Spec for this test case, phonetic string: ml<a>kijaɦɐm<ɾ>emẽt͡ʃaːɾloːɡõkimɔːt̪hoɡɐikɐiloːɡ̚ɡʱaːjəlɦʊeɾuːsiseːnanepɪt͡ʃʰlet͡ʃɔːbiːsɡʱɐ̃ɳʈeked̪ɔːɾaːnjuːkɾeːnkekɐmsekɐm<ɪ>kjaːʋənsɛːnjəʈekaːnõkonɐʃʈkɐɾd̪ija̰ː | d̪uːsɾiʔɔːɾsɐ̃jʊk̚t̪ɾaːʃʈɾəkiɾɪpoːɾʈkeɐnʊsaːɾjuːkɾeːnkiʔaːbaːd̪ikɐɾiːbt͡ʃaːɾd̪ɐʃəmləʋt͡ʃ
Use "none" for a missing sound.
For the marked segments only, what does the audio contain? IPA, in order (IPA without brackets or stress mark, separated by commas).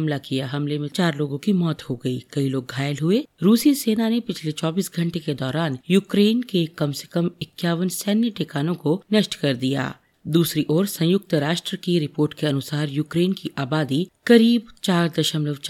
a, l, ɪ